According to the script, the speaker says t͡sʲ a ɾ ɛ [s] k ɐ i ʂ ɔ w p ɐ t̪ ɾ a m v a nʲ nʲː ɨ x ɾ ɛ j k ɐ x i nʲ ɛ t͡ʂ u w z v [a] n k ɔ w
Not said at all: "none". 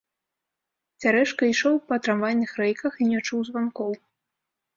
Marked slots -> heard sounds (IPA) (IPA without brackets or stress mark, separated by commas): ʂ, a